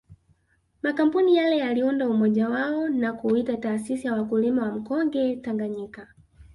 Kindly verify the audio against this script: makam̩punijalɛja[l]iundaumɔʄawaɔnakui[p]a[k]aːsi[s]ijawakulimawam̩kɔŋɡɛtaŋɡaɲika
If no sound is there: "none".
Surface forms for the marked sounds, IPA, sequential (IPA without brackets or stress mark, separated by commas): l, t, t, s